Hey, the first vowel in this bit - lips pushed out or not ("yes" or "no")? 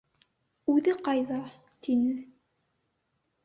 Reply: yes